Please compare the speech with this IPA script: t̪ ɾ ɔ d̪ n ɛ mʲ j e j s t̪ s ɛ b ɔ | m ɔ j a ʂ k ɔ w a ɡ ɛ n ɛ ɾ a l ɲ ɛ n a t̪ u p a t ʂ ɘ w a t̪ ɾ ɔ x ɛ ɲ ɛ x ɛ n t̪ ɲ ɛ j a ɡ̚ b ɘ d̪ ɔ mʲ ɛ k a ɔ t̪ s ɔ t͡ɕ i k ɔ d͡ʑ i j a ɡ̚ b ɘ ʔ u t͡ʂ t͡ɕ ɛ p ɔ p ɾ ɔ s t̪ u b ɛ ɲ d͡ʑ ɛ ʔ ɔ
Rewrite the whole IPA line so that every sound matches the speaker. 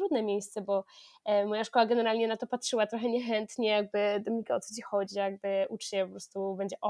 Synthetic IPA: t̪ ɾ u d̪ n ɛ mʲ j e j s t̪ s ɛ b ɔ | m ɔ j a ʂ k ɔ w a ɡ ɛ n ɛ ɾ a l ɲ ɛ n a t̪ ɔ p a t ʂ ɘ w a t̪ ɾ ɔ x ɛ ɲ ɛ x ɛ n t̪ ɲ ɛ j a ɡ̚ b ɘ d̪ ɔ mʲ i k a ɔ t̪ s ɔ t͡ɕ i x ɔ d͡ʑ i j a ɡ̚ b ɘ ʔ u t͡ʂ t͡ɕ ɛ p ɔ p ɾ ɔ s t̪ u b ɛ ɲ d͡ʑ ɛ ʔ ɔ